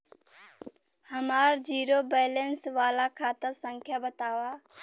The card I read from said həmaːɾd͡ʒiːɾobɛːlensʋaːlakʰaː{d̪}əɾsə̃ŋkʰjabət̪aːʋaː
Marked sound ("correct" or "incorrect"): incorrect